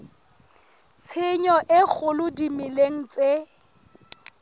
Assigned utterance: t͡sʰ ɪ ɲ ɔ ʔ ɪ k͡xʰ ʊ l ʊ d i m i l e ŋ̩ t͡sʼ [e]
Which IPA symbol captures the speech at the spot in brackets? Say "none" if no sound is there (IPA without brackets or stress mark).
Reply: e